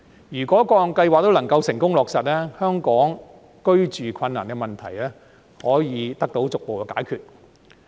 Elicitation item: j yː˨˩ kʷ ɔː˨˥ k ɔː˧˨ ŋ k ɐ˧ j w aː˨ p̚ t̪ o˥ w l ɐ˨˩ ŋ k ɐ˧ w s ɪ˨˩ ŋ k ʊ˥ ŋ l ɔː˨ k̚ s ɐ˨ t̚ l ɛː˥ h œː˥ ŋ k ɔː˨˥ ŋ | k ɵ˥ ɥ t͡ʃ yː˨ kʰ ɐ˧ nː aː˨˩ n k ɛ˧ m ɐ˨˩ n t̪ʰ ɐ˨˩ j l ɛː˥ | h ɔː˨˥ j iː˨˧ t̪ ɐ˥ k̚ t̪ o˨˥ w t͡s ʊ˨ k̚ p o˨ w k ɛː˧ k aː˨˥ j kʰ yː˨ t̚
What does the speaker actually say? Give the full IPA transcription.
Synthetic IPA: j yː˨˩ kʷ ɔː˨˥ k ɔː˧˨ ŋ k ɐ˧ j w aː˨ k̚ t̪ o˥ w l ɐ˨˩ ŋ k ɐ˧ w s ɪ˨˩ ŋ k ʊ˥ ŋ l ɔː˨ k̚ s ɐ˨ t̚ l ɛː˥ h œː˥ ŋ k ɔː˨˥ ŋ | k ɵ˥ ɥ t͡ʃ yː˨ kʰ ɐ˧ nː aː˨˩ n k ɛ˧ m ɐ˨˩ n t̪ʰ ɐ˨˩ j l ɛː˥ | h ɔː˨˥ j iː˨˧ t̪ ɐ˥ k̚ t̪ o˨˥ w t͡s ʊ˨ k̚ p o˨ w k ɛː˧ k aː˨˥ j kʰ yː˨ t̚